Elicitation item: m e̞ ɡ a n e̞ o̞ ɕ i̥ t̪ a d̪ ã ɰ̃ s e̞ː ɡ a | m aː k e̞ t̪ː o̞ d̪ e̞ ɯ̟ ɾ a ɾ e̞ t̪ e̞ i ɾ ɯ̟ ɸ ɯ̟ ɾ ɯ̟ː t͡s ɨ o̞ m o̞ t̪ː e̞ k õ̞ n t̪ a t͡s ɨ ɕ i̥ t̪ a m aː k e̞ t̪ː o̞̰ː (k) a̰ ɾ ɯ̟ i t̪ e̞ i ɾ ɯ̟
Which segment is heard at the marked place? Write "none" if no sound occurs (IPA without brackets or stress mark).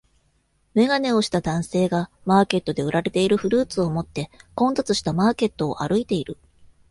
ʔ